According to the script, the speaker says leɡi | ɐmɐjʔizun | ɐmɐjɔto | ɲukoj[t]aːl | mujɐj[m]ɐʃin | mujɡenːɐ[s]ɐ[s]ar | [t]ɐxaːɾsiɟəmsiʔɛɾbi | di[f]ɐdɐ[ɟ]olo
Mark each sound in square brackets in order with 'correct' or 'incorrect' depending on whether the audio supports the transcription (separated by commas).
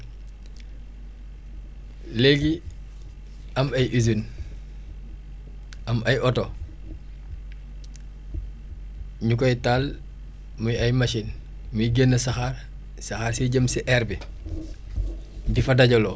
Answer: correct, correct, correct, incorrect, incorrect, correct, correct